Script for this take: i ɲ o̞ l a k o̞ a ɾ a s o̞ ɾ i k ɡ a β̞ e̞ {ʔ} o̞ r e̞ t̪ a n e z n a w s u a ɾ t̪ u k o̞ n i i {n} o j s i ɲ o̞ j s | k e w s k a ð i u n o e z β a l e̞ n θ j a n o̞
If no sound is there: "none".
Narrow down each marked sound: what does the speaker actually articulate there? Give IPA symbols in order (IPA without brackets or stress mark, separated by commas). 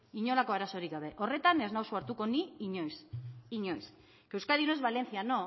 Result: ʔ, ɲ